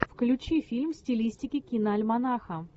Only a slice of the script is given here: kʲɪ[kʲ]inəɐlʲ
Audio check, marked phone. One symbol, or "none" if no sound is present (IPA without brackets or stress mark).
kʲ